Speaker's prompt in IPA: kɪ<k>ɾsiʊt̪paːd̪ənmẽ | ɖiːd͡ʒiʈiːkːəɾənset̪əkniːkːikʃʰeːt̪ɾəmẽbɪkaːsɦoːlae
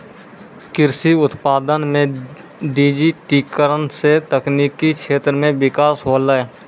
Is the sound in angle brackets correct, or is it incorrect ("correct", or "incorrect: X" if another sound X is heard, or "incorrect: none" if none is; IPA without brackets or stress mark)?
incorrect: none